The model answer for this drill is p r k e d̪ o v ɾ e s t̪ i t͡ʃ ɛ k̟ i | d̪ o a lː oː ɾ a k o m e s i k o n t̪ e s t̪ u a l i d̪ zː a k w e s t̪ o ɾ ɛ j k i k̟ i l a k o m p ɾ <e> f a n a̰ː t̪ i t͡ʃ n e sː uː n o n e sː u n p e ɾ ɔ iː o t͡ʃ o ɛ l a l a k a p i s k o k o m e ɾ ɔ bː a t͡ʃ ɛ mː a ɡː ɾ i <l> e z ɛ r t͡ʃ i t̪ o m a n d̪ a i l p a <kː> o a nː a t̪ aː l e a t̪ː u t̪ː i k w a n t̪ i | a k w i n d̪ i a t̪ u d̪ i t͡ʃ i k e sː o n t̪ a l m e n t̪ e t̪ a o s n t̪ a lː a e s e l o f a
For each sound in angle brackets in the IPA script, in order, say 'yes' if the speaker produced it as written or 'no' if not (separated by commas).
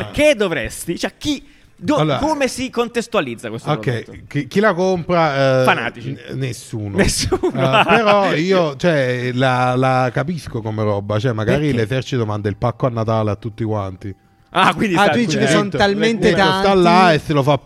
no, yes, yes